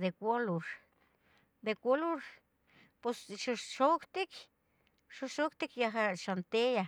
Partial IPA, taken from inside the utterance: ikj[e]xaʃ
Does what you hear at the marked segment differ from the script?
yes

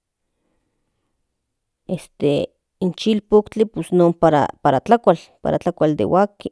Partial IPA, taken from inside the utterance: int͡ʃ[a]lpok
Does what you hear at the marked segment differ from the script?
yes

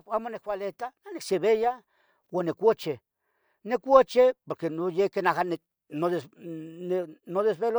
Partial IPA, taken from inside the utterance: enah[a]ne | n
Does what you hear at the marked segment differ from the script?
no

